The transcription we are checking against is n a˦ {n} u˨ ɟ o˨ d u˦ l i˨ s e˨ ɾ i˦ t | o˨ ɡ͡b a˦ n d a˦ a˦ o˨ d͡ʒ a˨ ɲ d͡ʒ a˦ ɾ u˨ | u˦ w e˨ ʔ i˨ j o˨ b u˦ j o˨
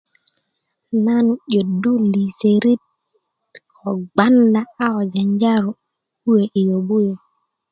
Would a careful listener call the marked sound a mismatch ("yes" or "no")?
no